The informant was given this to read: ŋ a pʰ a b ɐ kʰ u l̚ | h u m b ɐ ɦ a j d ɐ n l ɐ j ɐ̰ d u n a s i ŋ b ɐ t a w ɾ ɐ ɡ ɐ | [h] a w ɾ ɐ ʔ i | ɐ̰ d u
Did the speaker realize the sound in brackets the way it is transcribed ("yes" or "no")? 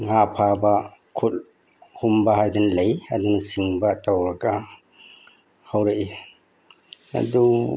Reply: yes